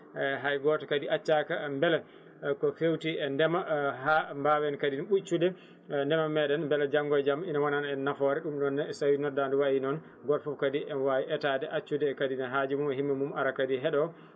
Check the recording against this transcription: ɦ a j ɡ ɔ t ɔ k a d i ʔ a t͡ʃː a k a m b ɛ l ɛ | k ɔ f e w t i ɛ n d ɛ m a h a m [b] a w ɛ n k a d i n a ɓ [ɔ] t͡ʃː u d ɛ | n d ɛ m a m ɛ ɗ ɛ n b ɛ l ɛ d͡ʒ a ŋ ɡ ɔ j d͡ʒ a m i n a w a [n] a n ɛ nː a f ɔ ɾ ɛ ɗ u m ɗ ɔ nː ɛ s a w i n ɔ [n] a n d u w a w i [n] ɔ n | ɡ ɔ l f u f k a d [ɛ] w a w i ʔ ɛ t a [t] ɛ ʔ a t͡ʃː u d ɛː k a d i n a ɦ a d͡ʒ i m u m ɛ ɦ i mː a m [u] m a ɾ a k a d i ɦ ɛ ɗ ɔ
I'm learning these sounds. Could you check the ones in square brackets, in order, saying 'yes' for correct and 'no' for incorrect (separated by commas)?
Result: yes, no, yes, no, yes, no, no, yes